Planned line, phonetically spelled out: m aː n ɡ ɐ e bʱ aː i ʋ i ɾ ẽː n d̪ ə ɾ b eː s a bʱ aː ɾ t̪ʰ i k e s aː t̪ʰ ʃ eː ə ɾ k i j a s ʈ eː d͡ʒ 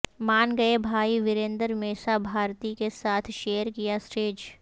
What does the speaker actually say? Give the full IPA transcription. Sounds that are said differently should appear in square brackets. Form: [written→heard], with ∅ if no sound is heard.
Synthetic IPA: m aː n ɡ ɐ e bʱ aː i ʋ [i→ɪ] ɾ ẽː n d̪ ə ɾ [b→m] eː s a bʱ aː ɾ [t̪ʰ→t̪] i k e s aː t̪ʰ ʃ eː ə ɾ k i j a s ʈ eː d͡ʒ

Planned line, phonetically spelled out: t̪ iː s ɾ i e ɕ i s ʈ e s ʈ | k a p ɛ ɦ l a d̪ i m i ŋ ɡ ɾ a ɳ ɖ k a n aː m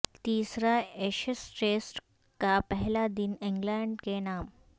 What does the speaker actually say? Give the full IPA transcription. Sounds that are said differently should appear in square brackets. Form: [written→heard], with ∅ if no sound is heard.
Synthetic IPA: t̪ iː s ɾ [i→a] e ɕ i s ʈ e s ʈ | k a p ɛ ɦ l a d̪ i [m→n] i ŋ ɡ [ɾ→l] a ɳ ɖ k [a→e] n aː m

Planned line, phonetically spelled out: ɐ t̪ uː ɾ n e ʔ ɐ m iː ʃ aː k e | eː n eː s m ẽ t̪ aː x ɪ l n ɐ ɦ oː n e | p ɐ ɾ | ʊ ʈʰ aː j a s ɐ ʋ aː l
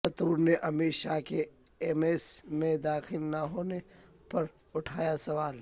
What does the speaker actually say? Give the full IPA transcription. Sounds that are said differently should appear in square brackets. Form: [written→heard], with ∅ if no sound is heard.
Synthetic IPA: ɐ t̪ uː ɾ n e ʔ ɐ m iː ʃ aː k e | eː [n→m] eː s m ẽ [t̪→d̪] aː x ɪ l n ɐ ɦ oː n e | p ɐ ɾ | ʊ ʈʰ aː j a s ɐ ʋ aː l

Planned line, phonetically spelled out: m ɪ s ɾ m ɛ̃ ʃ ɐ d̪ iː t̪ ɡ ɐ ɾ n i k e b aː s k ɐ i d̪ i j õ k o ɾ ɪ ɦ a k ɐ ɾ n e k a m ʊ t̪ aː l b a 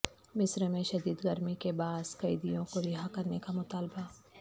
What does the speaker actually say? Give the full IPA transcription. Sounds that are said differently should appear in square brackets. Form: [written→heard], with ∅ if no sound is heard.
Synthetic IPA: m ɪ s ɾ m [ɛ̃→ẽ] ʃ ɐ d̪ iː [t̪→d̪] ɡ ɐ ɾ [n→m] i k e b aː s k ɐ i d̪ i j õ k o ɾ ɪ ɦ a k ɐ ɾ n e k a m ʊ t̪ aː l b a

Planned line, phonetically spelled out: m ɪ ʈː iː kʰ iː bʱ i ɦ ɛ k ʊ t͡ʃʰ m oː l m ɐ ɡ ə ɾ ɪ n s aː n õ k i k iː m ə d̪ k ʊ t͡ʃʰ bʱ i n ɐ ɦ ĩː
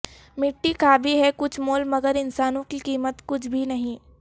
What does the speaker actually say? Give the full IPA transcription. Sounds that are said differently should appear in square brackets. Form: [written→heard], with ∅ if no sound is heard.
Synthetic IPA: m ɪ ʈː [iː→i] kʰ [iː→aː] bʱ i ɦ ɛ k ʊ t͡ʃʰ m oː l m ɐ ɡ ə ɾ ɪ n s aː n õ k i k iː m ə [d̪→t̪] k ʊ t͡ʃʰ bʱ i n ɐ ɦ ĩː

